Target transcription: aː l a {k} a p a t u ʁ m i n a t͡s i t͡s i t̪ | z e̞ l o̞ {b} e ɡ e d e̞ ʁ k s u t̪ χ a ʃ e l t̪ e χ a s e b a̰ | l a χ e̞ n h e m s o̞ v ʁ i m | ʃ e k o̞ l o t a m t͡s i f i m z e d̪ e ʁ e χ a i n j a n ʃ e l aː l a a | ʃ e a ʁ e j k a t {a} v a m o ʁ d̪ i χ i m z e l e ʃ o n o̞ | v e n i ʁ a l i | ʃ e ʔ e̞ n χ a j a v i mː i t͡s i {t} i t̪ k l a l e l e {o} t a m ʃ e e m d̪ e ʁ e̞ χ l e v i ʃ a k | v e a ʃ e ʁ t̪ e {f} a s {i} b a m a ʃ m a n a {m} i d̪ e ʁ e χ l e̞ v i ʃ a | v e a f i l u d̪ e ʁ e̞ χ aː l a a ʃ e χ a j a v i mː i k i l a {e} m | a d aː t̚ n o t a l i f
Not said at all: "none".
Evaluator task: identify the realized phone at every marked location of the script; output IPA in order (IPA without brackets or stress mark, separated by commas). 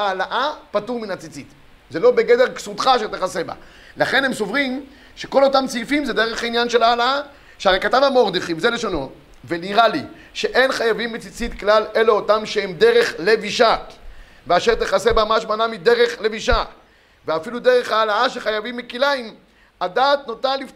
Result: ʔ, b, a, t͡s, o, χ, e, m, i